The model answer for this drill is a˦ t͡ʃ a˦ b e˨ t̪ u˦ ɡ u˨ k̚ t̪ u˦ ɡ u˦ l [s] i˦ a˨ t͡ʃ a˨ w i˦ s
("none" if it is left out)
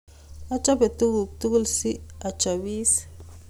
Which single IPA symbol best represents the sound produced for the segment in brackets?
s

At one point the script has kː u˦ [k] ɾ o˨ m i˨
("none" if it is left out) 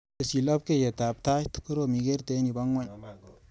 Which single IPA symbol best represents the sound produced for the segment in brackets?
none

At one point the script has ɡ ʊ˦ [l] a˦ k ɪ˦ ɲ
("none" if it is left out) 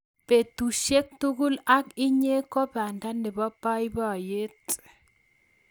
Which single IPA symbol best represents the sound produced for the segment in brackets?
l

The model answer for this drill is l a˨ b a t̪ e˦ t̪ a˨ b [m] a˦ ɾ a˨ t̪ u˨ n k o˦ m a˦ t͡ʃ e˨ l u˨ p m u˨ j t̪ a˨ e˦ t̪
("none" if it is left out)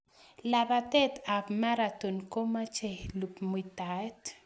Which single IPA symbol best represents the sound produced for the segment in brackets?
m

